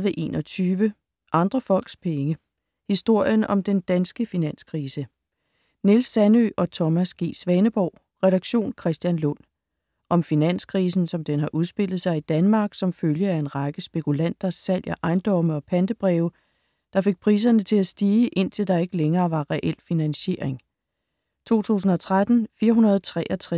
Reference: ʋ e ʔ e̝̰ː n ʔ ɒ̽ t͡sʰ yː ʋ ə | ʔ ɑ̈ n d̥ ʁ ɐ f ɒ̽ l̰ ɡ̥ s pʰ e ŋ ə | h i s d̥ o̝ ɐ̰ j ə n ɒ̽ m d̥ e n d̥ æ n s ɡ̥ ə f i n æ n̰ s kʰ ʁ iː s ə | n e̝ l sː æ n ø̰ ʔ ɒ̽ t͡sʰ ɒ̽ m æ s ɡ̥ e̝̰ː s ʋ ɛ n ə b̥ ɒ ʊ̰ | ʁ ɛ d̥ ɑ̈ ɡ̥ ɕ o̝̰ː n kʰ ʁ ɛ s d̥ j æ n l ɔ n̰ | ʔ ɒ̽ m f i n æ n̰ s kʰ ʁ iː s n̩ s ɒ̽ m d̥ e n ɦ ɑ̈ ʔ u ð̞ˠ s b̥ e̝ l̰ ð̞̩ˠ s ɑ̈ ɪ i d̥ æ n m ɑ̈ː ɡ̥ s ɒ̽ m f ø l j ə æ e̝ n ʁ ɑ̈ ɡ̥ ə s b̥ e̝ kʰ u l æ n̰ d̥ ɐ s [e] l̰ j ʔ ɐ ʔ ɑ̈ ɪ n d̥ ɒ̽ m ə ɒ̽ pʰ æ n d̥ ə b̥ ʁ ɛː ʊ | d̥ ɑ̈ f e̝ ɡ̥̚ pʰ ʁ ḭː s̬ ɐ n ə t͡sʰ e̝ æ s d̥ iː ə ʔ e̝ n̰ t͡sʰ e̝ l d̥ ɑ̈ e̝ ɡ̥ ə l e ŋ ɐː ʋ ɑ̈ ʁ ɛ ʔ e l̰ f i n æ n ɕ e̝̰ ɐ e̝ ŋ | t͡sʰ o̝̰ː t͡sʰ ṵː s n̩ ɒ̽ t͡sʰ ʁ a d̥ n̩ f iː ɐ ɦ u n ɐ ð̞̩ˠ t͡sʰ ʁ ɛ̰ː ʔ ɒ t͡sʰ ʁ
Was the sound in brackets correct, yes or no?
no